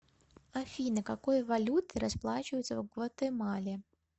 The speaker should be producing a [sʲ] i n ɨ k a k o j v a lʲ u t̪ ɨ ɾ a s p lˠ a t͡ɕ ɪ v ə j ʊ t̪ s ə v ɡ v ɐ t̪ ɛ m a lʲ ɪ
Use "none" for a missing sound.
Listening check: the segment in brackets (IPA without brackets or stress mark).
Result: fʲ